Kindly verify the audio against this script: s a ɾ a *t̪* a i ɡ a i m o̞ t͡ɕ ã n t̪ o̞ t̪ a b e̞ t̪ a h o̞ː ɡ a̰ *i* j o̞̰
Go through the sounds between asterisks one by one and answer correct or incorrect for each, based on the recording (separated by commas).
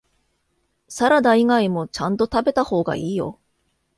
incorrect, incorrect